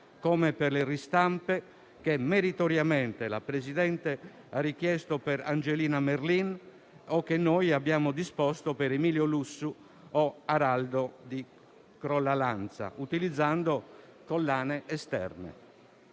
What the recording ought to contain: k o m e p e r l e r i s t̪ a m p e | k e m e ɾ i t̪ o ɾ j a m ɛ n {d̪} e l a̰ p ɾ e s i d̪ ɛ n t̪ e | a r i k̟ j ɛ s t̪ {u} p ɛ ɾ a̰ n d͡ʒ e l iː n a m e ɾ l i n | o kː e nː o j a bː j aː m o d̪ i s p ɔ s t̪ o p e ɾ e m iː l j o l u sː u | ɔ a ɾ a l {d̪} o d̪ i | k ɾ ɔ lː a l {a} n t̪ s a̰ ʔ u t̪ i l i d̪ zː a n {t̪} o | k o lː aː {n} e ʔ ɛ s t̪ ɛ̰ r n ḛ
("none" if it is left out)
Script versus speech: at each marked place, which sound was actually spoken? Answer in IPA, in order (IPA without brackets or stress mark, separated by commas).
t̪, o, d̪, a, d̪, n